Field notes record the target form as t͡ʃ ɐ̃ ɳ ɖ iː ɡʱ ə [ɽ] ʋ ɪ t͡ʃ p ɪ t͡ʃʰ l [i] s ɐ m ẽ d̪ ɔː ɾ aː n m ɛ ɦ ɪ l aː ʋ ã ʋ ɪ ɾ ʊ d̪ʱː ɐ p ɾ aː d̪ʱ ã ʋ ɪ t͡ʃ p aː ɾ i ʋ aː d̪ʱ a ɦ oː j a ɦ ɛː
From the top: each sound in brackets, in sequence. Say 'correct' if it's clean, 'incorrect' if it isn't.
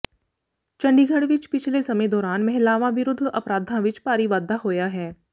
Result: correct, incorrect: e

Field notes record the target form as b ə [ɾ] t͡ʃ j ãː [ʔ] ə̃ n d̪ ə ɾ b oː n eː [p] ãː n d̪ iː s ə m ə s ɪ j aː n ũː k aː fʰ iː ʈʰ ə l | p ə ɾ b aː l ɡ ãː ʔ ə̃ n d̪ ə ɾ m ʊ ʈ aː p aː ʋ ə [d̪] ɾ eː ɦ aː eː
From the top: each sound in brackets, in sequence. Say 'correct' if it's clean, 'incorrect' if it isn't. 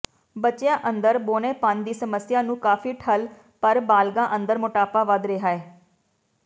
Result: incorrect: none, correct, correct, correct

